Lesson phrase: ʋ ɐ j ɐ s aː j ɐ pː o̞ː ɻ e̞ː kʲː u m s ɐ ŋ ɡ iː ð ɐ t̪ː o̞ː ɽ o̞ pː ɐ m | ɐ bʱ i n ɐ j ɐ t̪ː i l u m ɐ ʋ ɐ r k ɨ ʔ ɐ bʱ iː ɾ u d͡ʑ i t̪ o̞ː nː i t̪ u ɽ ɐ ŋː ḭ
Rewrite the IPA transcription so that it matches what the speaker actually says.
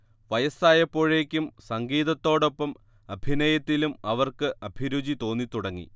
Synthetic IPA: ʋ ɐ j ɐ s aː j ɐ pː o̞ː ɻ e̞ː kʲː u m s ɐ ŋ ɡ iː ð ɐ t̪ː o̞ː ɽ o̞ pː ɐ m | ɐ bʱ i n ɐ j ɐ t̪ː i l u m ɐ ʋ ɐ r k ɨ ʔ ɐ bʱ i ɾ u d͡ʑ i t̪ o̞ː nː i t̪ u ɽ ɐ ŋː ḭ